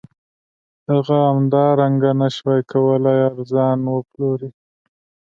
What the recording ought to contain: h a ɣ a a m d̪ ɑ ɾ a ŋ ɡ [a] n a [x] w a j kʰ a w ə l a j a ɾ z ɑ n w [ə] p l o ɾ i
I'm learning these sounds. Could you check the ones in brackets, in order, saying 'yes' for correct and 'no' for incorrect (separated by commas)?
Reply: yes, no, yes